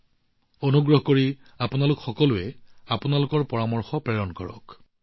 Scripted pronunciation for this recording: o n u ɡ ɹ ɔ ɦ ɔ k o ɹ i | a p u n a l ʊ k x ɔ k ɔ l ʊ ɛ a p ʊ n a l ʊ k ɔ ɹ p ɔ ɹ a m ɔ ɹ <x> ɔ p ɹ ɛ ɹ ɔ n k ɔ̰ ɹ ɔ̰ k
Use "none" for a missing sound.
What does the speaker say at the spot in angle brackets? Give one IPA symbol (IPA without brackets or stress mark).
x